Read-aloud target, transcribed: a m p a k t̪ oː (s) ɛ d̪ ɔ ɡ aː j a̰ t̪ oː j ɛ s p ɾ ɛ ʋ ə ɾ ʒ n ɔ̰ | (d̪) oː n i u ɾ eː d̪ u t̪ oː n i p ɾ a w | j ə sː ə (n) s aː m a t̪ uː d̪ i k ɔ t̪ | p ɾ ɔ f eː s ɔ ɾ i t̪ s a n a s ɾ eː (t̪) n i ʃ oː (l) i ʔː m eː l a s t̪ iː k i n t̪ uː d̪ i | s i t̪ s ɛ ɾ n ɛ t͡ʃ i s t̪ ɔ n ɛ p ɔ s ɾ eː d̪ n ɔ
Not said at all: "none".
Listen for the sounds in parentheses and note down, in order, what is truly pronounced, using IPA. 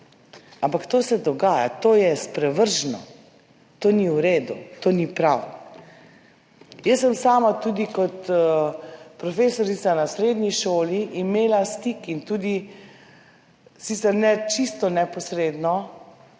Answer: s, t̪, m, d̪, l

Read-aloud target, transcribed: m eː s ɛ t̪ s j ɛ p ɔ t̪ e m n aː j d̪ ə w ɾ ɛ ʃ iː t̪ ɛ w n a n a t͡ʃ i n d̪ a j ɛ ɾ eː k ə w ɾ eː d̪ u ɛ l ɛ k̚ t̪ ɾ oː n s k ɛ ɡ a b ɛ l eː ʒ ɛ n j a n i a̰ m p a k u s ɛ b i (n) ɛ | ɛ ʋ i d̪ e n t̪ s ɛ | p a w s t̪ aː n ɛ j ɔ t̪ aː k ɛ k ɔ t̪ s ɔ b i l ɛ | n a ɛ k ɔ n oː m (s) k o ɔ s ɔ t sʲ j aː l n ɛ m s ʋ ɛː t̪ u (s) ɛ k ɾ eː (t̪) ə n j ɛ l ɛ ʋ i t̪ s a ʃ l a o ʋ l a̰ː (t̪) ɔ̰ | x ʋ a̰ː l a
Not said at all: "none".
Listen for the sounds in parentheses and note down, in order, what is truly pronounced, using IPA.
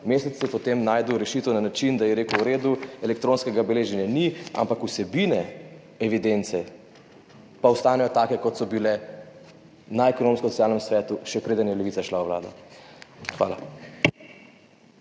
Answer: n, s, ʃ, d̪, d̪

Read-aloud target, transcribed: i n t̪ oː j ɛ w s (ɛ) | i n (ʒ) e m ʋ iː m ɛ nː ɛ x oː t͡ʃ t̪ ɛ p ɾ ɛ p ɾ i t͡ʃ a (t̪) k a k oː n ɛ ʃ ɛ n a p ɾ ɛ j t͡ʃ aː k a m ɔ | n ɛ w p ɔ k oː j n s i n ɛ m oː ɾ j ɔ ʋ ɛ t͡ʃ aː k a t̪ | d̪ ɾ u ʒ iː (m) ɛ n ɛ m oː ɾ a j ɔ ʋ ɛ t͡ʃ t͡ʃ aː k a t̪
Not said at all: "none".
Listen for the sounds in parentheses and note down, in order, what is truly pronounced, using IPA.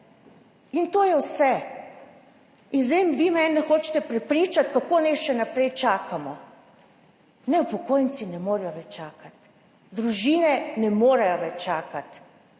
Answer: ɛ, z, t̪, n

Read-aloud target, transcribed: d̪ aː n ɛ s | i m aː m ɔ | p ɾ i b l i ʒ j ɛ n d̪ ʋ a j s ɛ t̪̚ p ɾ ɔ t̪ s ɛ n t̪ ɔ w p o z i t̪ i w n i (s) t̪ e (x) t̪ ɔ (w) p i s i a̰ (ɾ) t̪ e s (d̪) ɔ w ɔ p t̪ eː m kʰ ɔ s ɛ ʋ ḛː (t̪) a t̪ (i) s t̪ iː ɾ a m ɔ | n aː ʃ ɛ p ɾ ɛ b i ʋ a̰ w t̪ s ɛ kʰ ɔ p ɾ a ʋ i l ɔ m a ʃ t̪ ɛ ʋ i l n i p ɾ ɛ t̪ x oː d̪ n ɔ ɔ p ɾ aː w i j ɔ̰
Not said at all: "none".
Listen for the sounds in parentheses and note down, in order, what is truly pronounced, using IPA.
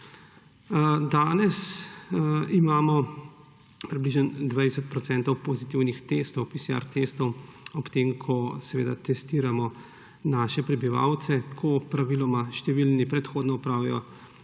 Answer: x, s, w, ɾ, t̪, d̪, ɛ

